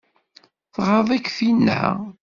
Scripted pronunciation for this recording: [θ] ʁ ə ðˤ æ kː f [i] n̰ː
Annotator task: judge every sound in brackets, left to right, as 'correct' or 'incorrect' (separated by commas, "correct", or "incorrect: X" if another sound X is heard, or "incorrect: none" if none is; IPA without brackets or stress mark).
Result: correct, correct